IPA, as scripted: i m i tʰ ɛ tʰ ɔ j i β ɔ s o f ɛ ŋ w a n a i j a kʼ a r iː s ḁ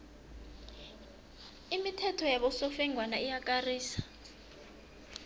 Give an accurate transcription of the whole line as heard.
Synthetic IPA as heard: i m i tʰ ɛ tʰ ɔ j a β ɔ s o f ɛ ŋ w a n a i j a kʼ a r iː s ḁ

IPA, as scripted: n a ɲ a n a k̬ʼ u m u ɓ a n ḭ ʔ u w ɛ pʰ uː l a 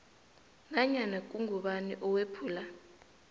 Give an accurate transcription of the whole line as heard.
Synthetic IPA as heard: n a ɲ a n a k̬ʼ u ŋ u ɓ a n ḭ ʔ ɔ w e pʰ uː l a

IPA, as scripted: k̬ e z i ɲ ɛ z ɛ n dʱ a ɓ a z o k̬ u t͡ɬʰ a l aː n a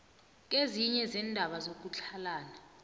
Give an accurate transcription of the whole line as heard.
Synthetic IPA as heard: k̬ e z i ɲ ɛ z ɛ n dʱ a ɓ a z o k̬ u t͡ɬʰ a l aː n a

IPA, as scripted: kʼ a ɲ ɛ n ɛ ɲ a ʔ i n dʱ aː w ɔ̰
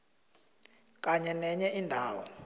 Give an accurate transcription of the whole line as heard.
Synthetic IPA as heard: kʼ a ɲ ɛ n ɛ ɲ ɛ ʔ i n dʱ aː w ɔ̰

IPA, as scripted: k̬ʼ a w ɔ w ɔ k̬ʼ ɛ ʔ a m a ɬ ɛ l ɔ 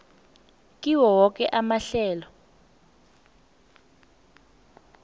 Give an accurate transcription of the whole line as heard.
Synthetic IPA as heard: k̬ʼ i w ɔ w ɔ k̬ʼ ɛ ʔ a m a ɬ ɛː l ɔ

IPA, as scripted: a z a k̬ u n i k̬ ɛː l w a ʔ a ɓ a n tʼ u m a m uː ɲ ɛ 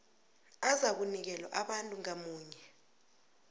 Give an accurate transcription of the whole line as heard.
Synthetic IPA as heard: a z a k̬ u n i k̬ ɛ l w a ʔ a ɓ a n tʼ u ŋ a m uː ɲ ɛ

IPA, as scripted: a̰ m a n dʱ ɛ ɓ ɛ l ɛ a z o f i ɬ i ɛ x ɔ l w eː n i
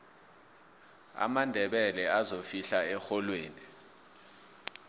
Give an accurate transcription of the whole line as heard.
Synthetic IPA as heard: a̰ m a n dʱ ɛ ɓ ɛ l ɛ a z o f i ɬ a ɛ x ɔ l w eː n i

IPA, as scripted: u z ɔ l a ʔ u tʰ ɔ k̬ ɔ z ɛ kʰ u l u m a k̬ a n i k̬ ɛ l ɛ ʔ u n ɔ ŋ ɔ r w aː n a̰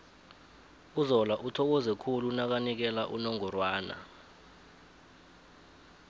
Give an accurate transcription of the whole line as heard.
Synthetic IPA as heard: u z ɔ l a ʔ u tʰ ɔ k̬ ɔ z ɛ kʰ u l u n a k̬ a n i k̬ ɛ l a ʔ u n ɔ ŋ ɔ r w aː n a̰

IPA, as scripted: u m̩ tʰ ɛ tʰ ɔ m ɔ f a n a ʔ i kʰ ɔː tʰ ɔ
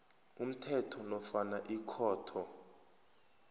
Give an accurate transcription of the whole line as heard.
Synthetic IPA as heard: u m̩ tʰ ɛ tʰ ɔ n ɔ f a n a ʔ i kʰ ɔː tʰ ɔ

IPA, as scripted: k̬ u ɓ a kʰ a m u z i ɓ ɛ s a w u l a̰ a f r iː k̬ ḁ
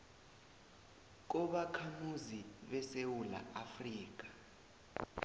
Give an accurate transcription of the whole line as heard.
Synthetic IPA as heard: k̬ ɔ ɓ a kʰ a m u z i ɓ ɛ s e w u l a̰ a f r iː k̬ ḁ

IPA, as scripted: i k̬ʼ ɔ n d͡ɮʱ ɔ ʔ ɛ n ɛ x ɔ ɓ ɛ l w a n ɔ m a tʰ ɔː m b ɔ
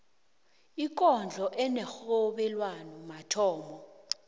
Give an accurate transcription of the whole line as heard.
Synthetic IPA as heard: i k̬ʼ ɔ n d͡ɮʱ ɔ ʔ ɛ n ɛ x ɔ ɓ ɛ l w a n ɔ m a tʰ ɔː m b ɔ

